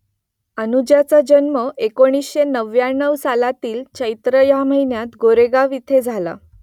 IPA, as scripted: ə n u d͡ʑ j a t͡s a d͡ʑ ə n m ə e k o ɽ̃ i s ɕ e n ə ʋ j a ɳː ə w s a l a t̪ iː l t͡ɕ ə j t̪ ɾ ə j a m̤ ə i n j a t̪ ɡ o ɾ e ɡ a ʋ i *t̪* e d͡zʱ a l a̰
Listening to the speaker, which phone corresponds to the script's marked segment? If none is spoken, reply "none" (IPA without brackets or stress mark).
t̪ʰ